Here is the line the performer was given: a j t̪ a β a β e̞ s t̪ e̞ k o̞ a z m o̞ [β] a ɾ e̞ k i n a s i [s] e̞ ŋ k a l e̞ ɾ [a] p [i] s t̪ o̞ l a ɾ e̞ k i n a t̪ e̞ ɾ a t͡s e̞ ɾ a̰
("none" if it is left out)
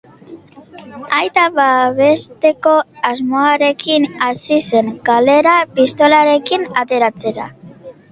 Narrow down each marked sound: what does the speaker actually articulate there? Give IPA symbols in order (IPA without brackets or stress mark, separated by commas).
none, s, a, i